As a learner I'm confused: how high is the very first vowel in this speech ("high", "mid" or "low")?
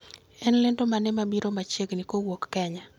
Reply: mid